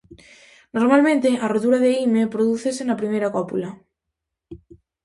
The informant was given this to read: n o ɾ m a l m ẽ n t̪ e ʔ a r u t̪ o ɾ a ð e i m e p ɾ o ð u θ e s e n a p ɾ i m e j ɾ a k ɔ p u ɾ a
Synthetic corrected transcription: n o ɾ m a l m ẽ n t̪ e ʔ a r o t̪ u ɾ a ð e i m e p ɾ o ð u θ e s e n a p ɾ i m e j ɾ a k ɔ p u l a